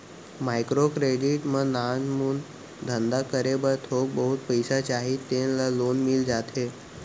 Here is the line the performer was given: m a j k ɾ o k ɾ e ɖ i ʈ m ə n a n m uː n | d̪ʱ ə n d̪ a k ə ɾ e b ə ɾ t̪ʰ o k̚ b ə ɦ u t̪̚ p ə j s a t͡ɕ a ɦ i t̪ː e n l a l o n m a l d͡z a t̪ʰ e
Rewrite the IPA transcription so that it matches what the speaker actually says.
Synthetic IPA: m a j k ɾ o k ɾ e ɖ i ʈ m ə n a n m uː n | d̪ʱ ə n d̪ a k ə ɾ e b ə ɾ t̪ʰ o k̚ b ə ɦ u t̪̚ p ə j s a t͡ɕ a ɦ i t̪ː e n l a l o n m i l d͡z a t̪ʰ e